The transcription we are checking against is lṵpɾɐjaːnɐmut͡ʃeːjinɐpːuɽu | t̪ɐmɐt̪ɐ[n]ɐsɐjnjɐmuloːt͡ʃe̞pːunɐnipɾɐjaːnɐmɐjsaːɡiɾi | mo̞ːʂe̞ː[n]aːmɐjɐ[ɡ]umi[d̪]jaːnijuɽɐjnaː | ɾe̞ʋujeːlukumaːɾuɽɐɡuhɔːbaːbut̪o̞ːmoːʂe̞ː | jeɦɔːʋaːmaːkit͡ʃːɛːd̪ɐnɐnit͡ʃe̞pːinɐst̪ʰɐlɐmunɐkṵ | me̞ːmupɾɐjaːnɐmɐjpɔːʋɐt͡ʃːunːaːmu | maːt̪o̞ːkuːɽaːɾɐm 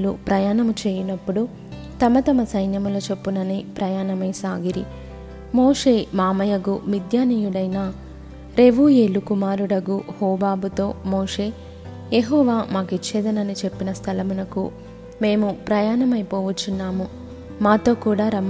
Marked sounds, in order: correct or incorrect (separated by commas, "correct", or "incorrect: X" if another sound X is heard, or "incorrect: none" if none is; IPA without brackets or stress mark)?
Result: incorrect: m, incorrect: m, correct, correct